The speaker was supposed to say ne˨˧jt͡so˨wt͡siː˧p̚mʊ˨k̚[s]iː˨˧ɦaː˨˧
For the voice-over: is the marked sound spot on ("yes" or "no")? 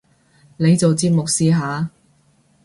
yes